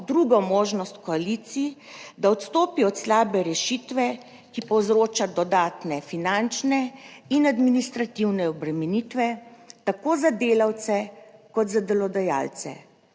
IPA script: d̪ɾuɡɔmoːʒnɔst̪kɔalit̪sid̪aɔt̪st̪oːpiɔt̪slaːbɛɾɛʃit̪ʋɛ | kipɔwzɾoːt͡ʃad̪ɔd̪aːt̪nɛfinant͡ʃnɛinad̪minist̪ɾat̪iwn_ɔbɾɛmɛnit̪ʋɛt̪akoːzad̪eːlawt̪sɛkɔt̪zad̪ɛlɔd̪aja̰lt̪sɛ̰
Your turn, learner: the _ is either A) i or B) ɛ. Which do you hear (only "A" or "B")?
B